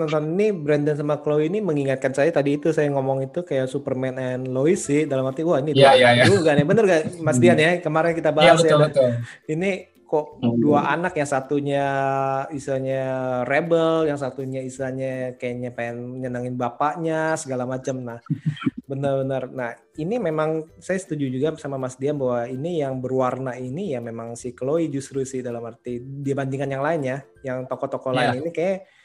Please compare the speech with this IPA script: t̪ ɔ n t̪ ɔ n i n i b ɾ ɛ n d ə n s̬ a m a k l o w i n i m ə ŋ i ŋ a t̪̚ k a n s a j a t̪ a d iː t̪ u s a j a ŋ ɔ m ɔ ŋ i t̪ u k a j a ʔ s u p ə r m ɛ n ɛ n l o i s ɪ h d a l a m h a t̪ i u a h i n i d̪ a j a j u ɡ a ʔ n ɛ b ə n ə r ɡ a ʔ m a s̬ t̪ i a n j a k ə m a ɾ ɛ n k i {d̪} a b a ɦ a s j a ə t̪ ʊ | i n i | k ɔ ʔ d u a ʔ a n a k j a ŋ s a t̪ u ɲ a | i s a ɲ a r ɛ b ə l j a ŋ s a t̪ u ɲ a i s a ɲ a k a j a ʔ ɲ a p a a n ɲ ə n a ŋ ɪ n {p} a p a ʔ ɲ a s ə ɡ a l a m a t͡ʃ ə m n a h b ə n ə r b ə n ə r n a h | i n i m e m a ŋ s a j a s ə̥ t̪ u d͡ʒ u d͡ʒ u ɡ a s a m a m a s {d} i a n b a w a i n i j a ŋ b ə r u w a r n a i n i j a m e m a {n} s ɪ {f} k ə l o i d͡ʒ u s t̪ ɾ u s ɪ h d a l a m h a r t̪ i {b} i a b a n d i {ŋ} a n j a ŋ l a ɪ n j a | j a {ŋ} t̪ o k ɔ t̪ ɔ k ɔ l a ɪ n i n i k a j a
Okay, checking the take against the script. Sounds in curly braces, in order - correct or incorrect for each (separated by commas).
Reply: incorrect, incorrect, correct, incorrect, incorrect, incorrect, correct, correct